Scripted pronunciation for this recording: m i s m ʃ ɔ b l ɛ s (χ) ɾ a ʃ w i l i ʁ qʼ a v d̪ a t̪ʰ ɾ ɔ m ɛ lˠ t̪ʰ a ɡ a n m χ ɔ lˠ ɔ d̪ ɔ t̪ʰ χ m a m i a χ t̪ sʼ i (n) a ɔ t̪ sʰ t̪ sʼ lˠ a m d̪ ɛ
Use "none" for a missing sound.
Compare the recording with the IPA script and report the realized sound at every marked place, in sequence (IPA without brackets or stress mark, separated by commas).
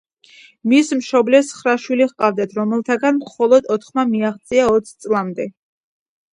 χ, none